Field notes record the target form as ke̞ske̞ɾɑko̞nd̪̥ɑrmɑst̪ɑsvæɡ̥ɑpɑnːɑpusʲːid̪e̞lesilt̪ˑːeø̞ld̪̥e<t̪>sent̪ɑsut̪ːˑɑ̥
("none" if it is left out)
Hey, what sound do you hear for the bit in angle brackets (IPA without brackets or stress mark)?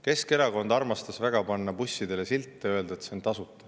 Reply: t̪